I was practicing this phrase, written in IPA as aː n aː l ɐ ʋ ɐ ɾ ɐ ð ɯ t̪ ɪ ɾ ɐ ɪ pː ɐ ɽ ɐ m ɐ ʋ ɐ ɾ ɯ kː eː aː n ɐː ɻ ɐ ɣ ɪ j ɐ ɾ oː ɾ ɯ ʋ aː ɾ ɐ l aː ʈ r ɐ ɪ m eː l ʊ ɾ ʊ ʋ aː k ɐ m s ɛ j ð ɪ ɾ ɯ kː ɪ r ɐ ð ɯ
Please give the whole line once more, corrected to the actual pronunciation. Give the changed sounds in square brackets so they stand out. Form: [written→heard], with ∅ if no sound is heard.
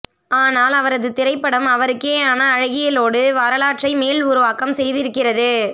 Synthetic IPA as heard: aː n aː l ɐ ʋ ɐ ɾ ɐ ð ɯ t̪ ɪ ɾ ɐ ɪ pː ɐ ɽ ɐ m ɐ ʋ ɐ ɾ ɯ kː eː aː n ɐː ɻ ɐ ɣ ɪ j ɐ [ɾ→l] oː [ɾ→ɽ] ɯ ʋ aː ɾ ɐ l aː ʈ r ɐ ɪ m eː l ʊ ɾ ʊ ʋ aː k ɐ m s ɛ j ð ɪ ɾ ɯ kː ɪ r ɐ ð ɯ